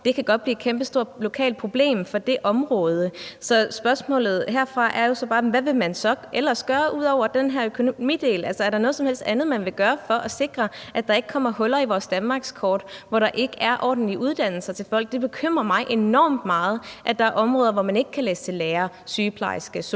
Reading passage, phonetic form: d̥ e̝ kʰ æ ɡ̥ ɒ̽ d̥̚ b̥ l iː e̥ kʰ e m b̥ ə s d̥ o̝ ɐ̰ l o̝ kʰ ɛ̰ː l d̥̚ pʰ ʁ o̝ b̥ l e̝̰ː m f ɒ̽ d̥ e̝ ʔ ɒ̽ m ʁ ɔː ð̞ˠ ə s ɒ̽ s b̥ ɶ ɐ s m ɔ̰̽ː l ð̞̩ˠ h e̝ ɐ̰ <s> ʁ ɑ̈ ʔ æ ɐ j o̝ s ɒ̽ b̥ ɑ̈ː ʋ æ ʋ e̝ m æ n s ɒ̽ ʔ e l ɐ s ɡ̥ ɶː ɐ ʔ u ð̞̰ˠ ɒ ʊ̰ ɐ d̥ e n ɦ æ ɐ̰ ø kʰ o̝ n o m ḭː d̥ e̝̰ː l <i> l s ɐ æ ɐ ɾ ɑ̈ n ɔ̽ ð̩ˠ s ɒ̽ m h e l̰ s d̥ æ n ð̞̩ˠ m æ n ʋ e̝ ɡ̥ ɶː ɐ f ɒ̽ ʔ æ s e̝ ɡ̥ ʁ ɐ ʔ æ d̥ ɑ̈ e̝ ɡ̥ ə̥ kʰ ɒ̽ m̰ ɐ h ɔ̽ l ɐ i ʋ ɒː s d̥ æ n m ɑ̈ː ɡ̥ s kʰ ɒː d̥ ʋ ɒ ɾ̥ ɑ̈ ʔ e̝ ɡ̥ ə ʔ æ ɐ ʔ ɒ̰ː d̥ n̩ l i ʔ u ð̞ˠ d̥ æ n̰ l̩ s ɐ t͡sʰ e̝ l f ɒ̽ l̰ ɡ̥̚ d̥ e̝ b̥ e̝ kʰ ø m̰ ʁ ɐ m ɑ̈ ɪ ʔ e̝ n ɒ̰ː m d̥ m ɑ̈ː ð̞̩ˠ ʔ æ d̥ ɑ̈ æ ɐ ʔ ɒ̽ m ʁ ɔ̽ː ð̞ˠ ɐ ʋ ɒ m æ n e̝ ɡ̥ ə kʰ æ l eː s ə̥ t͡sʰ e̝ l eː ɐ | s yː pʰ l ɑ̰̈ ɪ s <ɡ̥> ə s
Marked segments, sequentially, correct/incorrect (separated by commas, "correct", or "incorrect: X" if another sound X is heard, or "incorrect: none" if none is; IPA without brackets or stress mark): incorrect: f, incorrect: æ, correct